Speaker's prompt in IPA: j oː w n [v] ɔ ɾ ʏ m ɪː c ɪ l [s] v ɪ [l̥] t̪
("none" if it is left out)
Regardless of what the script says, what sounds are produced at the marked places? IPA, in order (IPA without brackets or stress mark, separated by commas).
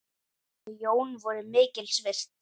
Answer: v, s, r̥